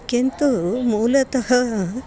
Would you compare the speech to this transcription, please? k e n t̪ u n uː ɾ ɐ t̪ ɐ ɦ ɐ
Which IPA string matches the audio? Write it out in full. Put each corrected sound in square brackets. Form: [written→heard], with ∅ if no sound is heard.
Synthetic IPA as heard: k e n t̪ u [n→m] uː [ɾ→l] ɐ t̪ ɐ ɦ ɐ